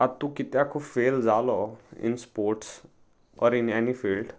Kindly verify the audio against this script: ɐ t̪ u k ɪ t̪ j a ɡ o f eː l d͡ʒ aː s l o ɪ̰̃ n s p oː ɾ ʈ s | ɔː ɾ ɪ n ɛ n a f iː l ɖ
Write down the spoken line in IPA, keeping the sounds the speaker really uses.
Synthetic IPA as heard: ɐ t̪ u k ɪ t̪ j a k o f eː l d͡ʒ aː l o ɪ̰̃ n s p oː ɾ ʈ s | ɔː ɾ ɪ n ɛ n i f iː l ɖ